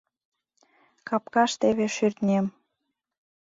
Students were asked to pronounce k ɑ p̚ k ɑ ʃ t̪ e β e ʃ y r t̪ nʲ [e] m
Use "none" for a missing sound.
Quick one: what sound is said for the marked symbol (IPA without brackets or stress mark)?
e